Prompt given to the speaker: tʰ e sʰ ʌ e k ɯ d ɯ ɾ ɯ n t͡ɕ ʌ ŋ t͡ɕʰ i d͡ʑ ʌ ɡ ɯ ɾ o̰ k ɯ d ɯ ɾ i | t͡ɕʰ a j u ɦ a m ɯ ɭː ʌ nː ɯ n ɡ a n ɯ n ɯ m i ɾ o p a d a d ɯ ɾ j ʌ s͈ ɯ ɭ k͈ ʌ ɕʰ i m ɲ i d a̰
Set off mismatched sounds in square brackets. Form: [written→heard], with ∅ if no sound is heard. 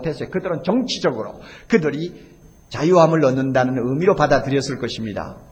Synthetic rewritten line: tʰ e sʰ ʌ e k ɯ d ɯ ɾ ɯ n t͡ɕ ʌ ŋ t͡ɕʰ i d͡ʑ ʌ ɡ ɯ ɾ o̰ k ɯ d ɯ ɾ i | [t͡ɕʰ→t͡ɕ] a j u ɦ a m ɯ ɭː ʌ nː ɯ n [ɡ→d] a n ɯ n ɯ m i ɾ o p a d a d ɯ ɾ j ʌ s͈ ɯ ɭ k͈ ʌ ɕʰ i m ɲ i d a̰